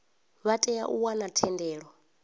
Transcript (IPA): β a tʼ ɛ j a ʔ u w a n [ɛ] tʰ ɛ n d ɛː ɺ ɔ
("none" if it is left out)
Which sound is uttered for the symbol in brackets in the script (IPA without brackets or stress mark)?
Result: a